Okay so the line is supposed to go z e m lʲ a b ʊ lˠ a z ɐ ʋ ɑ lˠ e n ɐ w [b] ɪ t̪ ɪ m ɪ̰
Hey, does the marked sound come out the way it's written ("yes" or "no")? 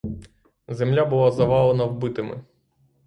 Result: yes